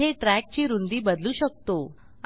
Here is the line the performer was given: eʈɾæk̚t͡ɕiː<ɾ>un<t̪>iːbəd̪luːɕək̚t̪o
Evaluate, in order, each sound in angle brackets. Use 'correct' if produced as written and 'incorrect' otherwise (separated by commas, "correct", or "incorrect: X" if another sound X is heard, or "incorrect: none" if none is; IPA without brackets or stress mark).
correct, incorrect: d̪